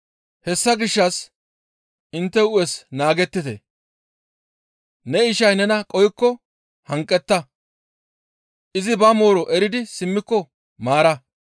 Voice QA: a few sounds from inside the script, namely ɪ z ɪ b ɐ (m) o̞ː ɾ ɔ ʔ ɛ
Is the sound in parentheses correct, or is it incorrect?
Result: correct